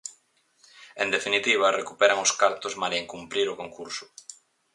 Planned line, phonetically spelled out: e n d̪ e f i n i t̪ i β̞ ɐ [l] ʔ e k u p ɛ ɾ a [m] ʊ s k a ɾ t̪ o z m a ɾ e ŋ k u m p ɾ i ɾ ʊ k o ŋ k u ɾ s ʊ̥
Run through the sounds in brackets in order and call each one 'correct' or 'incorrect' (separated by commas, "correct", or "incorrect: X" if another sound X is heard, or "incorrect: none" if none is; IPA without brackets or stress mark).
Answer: incorrect: r, incorrect: ŋ